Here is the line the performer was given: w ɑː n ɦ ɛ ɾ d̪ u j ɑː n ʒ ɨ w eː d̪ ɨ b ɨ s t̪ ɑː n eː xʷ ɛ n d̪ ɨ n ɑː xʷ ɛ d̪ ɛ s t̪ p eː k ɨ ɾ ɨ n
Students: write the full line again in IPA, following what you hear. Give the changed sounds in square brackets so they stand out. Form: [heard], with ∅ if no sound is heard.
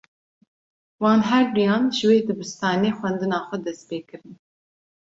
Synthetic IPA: w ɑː n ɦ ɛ ɾ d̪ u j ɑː n ʒ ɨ w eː d̪ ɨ b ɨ s t̪ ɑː n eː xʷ ɛ n d̪ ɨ n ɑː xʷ ɛ d̪ ɛ s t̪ p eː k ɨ ɾ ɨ n